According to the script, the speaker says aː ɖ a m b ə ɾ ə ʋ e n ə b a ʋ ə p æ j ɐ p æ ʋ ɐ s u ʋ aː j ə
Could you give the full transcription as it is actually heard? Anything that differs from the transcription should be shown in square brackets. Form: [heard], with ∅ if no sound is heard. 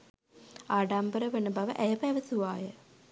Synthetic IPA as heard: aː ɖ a m b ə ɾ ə ʋ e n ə b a ʋ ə [ʔ] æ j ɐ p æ ʋ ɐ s u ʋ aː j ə